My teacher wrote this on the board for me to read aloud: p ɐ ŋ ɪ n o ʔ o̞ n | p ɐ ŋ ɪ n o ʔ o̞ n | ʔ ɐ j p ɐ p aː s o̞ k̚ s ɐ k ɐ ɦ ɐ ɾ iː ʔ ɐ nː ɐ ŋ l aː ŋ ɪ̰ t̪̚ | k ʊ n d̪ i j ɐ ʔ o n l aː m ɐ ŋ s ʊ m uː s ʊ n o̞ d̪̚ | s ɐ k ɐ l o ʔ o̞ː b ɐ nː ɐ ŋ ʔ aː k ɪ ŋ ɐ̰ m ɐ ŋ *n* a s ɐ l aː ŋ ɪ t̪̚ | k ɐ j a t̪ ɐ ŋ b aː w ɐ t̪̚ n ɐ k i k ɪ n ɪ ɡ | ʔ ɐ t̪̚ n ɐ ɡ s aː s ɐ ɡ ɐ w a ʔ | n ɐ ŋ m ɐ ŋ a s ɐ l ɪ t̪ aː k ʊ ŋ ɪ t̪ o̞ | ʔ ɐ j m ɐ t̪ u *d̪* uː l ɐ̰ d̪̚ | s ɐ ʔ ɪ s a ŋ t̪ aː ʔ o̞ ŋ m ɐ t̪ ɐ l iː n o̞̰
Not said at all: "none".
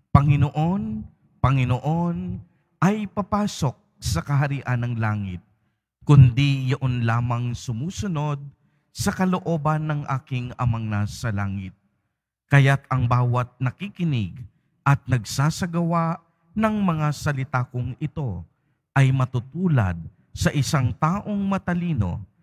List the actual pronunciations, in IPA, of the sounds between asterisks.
n, t̪

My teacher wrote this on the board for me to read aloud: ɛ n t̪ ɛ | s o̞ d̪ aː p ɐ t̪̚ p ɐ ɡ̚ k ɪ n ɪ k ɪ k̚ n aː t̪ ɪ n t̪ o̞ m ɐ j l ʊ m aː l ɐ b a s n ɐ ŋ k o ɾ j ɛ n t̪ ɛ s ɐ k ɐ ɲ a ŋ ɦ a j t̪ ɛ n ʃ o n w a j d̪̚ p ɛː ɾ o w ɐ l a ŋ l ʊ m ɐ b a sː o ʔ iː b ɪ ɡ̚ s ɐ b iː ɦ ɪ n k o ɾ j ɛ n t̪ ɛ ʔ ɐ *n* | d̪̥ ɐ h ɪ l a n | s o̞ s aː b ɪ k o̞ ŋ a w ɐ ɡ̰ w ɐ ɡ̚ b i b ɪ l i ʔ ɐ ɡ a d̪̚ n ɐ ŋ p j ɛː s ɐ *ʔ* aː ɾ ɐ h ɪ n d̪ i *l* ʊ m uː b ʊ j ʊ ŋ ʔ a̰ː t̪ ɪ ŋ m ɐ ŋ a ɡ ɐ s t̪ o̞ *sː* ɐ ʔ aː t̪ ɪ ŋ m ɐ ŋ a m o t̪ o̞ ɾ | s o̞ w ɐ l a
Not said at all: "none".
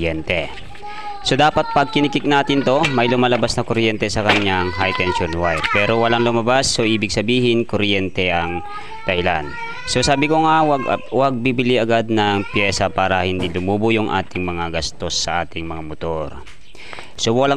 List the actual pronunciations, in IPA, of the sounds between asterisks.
ŋ, p, l, sː

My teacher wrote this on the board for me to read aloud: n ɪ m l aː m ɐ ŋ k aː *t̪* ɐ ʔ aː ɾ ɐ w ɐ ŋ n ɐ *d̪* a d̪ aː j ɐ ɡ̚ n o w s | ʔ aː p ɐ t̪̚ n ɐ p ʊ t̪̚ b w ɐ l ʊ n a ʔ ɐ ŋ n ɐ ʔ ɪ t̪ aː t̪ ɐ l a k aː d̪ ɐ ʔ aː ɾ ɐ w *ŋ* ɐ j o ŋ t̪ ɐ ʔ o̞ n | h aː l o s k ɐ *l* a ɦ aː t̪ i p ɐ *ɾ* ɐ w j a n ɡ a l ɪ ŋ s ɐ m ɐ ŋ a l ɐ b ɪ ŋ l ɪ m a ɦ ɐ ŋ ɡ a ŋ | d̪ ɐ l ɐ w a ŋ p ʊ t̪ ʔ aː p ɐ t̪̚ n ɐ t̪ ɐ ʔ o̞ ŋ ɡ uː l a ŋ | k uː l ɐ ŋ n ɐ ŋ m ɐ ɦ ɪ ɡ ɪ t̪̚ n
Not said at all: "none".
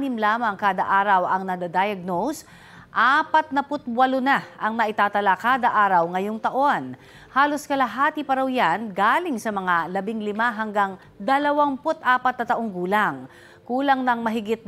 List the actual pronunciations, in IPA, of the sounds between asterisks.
d̪, d̪, ŋ, l, ɾ

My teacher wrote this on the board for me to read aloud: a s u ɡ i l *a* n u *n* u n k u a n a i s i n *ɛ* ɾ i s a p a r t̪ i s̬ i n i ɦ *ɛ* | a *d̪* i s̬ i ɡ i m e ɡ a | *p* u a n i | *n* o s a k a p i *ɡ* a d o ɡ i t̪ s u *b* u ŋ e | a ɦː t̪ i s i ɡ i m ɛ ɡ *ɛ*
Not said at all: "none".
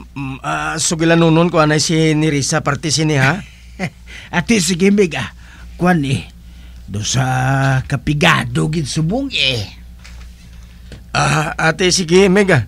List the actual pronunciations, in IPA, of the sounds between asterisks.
a, n, i, a, t̪, k, d, ɡ, b, a

